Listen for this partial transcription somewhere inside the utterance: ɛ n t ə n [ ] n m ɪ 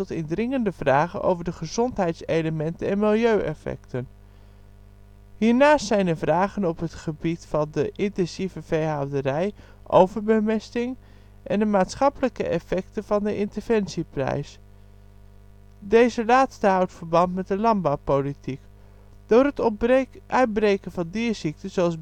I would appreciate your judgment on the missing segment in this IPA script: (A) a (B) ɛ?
B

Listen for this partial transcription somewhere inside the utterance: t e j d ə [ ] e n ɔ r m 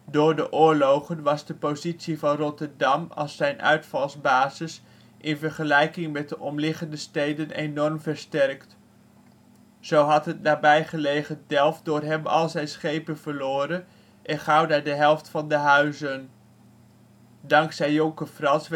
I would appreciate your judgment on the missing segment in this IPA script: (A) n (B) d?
A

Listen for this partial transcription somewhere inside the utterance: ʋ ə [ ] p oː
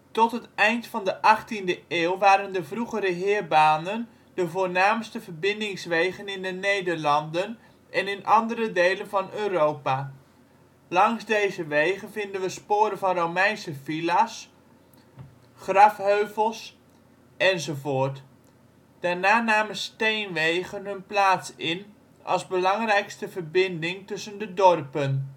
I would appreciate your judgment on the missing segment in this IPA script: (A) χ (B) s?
B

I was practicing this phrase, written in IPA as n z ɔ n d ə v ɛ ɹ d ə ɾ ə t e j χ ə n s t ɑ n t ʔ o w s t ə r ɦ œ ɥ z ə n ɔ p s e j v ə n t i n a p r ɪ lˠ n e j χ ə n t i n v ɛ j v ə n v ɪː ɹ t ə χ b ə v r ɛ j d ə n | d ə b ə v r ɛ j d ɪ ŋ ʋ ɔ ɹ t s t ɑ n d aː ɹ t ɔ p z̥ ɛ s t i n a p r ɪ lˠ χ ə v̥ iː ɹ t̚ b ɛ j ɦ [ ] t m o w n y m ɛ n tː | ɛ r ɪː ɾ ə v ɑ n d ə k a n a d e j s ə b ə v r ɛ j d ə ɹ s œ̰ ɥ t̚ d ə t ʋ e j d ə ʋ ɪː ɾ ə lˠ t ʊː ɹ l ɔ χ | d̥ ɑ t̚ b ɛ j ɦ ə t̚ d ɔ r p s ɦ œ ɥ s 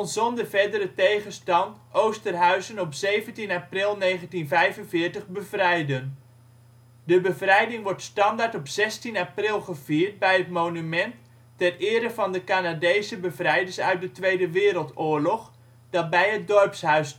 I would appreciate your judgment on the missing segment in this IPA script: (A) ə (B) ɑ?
A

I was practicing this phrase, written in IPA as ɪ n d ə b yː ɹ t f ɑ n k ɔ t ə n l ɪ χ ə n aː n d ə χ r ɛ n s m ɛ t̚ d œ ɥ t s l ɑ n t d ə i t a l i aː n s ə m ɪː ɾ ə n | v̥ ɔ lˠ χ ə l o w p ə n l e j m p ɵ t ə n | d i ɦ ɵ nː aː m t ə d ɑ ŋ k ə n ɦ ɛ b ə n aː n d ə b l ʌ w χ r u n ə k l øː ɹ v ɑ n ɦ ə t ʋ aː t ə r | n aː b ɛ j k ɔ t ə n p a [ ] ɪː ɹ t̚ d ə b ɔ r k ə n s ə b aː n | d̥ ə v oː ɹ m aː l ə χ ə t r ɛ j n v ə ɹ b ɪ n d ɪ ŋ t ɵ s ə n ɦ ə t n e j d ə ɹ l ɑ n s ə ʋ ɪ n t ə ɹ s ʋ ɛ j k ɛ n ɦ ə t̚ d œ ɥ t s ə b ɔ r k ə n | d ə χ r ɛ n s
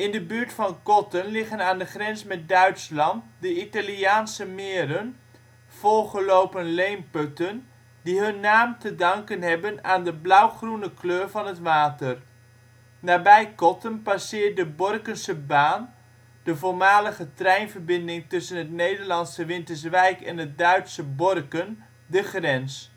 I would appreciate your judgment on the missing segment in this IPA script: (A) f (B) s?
B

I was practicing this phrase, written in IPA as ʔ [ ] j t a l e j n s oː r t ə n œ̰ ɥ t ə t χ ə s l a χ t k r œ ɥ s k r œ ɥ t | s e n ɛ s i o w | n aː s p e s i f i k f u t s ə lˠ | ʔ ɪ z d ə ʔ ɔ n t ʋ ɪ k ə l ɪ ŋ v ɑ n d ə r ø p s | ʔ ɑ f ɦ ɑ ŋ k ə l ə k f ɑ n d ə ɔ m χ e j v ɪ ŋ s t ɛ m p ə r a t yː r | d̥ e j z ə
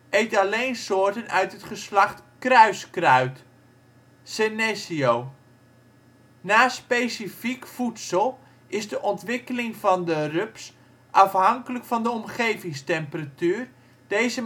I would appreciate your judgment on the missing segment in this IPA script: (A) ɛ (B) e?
B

